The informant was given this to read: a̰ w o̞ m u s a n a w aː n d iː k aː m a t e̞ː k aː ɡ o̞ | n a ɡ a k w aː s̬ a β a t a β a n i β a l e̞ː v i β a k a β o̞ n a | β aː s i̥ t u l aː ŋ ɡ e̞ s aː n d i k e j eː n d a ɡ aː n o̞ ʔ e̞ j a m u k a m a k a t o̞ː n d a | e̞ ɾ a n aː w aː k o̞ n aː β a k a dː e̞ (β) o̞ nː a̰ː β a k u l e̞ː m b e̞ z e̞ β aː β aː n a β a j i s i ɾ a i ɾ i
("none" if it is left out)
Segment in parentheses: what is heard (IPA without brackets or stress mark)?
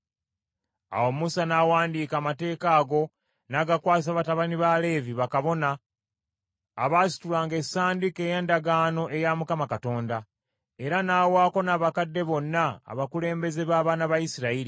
β